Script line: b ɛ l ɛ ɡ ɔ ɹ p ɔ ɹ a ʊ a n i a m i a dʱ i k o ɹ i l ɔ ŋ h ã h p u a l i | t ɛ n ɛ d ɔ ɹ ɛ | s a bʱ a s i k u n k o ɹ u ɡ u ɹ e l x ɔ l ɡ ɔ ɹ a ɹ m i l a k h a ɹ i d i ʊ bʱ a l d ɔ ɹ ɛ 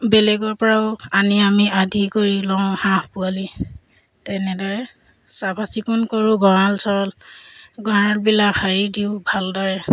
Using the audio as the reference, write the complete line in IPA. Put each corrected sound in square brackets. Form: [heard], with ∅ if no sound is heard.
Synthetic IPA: b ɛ l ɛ ɡ ɔ ɹ p ɔ ɹ a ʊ a n i a m i a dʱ i k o ɹ i l ɔ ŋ h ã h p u a l i | t ɛ n ɛ d ɔ ɹ ɛ | s a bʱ a s i k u n k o ɹ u ɡ [ɔ] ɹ [a] l [s] ɔ l ɡ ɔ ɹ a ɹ [b] i l a k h a ɹ i d i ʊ bʱ a l d ɔ ɹ ɛ